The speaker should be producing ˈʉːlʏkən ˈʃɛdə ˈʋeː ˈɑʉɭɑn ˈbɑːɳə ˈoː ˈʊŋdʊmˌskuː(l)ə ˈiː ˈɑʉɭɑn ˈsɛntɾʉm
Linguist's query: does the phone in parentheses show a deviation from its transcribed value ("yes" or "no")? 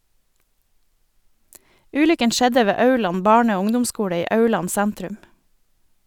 yes